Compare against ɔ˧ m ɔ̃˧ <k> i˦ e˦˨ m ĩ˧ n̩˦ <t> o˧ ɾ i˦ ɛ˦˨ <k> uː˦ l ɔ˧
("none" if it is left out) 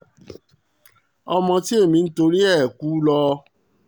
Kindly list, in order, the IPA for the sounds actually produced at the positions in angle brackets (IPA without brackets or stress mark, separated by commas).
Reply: t, t, k